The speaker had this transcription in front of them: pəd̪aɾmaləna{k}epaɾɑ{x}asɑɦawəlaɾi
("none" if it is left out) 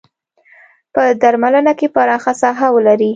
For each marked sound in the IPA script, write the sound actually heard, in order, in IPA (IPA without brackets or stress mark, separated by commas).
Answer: k, x